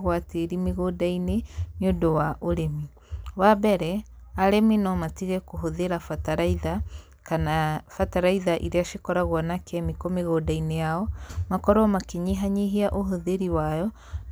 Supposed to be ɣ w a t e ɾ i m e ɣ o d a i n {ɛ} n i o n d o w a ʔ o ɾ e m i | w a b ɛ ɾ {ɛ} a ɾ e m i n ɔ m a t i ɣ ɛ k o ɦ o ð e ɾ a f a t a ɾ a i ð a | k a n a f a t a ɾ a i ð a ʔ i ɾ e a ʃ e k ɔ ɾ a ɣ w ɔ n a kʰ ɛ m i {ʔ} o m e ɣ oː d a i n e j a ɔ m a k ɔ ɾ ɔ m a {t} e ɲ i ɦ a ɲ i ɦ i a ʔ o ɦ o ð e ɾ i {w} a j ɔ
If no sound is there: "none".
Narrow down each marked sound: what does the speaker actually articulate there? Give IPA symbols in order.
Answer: e, ɛ, k, k, w

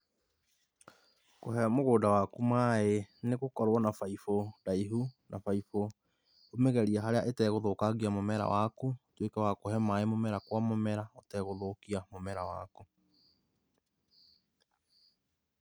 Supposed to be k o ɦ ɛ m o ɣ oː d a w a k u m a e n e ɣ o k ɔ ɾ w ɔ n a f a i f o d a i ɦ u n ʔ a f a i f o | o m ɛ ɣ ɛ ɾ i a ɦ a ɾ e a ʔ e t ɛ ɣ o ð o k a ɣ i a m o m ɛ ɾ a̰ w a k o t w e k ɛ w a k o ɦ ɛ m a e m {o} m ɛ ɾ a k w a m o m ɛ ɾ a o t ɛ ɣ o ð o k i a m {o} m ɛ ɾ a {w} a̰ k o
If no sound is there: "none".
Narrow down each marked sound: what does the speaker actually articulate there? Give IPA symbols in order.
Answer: o, o, w

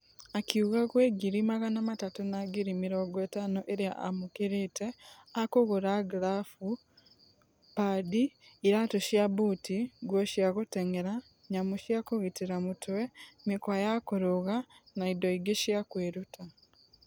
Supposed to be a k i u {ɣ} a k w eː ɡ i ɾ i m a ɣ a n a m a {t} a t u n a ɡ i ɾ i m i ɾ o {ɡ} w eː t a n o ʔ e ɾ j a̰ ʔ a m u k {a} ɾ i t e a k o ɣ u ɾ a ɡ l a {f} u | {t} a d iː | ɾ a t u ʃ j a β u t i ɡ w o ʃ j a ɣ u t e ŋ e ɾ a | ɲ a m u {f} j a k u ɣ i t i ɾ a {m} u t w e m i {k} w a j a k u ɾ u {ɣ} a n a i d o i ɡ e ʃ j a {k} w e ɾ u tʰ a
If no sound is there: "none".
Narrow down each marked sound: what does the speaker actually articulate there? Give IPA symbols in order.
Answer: ɣ, t, ɡ, i, f, p, ʃ, m, k, ɣ, k

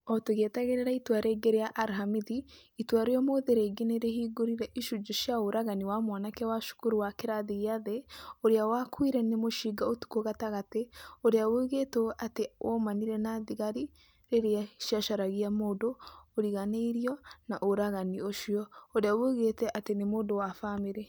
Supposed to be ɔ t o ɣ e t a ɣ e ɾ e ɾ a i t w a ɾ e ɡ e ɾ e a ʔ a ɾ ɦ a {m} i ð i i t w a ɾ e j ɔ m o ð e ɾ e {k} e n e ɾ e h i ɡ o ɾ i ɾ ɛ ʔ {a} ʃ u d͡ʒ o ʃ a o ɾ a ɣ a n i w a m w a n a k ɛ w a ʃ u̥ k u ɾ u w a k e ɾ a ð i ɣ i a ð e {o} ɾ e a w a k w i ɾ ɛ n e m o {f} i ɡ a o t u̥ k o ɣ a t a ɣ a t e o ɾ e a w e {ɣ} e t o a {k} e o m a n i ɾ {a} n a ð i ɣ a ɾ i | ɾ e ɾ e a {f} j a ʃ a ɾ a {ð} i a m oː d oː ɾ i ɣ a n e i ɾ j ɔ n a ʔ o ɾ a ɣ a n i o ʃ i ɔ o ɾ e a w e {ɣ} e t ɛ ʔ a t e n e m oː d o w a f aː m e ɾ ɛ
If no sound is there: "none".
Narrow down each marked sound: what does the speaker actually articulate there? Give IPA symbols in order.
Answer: m, ɡ, i, o, ʃ, ɣ, t, ɛ, ʃ, ɣ, ɣ

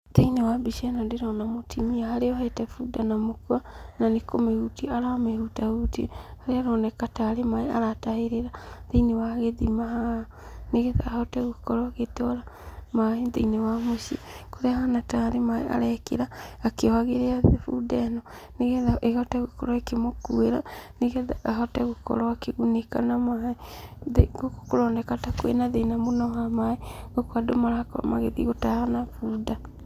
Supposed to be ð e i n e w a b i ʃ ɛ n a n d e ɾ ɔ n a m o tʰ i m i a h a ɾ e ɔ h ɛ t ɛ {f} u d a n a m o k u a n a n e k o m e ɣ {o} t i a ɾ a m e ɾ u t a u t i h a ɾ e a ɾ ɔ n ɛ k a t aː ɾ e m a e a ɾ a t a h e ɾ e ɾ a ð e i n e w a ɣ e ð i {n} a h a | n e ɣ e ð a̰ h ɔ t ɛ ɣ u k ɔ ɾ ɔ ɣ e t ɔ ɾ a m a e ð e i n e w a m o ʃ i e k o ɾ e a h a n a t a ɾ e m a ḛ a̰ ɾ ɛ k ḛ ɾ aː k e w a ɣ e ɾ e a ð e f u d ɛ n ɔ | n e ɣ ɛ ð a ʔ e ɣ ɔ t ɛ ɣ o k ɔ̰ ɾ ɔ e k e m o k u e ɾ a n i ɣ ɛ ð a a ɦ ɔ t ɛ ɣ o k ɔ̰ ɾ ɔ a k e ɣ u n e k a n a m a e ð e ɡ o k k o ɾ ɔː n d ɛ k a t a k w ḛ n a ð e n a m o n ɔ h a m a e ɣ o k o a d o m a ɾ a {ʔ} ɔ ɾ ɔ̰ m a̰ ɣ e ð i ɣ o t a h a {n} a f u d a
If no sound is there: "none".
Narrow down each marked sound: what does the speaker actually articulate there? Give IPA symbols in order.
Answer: f, u, m, k, n

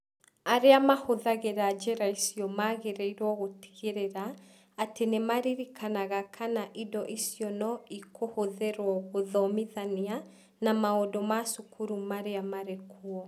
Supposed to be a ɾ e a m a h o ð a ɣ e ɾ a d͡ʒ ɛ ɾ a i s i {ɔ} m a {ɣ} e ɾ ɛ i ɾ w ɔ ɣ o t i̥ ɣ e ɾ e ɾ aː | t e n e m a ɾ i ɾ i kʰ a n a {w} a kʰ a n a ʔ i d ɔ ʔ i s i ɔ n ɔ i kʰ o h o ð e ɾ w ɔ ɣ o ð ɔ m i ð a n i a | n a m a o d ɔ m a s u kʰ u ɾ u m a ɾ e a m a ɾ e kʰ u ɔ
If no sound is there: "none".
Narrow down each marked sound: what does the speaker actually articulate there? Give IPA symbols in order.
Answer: ɔ, ɣ, ɣ

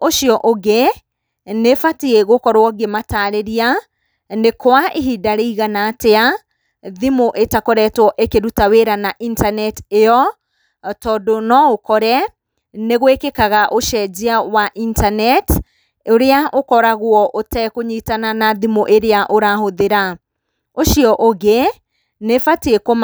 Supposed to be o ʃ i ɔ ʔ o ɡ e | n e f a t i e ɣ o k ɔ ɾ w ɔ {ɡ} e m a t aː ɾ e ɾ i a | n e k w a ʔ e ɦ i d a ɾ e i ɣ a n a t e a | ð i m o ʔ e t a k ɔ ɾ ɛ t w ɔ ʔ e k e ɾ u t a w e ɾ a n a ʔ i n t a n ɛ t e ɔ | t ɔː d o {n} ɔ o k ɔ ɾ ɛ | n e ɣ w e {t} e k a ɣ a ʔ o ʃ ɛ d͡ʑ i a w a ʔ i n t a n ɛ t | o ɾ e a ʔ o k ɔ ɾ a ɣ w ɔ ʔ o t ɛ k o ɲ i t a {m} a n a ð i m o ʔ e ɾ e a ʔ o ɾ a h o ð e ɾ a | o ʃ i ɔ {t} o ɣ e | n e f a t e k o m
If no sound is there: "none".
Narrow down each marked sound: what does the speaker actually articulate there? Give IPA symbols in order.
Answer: ɡ, n, k, n, ʔ

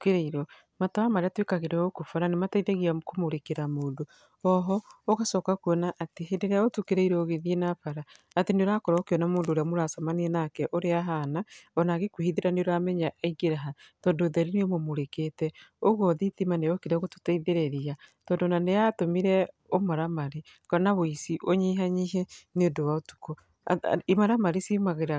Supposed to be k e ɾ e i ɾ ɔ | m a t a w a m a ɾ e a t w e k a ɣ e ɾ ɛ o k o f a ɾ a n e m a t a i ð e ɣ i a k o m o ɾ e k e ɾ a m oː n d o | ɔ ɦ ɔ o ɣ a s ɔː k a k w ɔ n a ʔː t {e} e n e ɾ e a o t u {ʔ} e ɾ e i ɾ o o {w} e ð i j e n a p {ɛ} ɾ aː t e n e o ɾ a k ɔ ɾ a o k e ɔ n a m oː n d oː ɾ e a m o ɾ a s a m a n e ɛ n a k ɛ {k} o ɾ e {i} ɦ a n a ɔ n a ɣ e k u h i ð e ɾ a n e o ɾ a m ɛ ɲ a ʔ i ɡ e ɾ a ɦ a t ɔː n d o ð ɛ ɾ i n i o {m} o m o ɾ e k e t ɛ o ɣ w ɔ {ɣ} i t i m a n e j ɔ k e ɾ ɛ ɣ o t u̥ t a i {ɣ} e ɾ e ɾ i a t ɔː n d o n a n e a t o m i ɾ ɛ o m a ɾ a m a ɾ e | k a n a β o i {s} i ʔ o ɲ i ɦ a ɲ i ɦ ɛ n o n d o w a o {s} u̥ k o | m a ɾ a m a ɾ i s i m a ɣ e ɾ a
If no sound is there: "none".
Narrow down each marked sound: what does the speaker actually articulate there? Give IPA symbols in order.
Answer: e, k, ɣ, a, ʔ, a, m, ð, ð, s, t

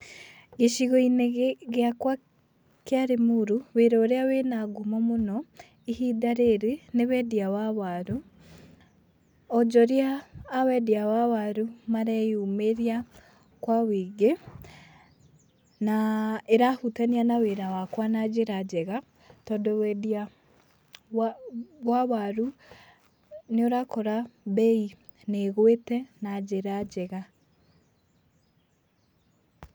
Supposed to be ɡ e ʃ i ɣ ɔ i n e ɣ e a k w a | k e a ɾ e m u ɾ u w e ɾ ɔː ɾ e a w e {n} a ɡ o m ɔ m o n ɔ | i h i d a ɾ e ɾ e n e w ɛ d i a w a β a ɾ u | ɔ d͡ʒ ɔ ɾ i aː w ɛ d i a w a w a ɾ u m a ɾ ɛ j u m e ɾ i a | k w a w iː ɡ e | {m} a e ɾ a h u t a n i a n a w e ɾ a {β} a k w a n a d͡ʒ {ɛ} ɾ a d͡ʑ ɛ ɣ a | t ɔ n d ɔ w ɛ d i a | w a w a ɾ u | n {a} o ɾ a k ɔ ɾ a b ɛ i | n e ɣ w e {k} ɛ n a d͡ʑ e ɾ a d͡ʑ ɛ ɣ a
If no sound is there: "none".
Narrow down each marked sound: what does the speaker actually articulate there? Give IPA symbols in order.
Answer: n, n, w, e, e, t

